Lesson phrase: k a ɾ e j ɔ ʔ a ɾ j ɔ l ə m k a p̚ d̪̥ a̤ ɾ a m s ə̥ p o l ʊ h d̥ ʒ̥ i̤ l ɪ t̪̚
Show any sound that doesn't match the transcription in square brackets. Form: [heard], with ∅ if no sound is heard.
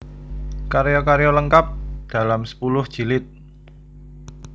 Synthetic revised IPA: k a ɾ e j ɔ [k] a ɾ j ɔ l ə [ŋ] k a p̚ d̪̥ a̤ [l] a m s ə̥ p [u] l ʊ h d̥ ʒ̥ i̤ l ɪ t̪̚